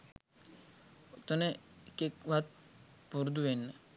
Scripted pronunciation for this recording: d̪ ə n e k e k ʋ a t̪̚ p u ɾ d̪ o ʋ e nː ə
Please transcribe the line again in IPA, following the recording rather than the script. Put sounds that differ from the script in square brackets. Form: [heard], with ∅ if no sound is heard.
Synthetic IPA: [t̪] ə n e k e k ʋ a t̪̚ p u ɾ d̪ [u] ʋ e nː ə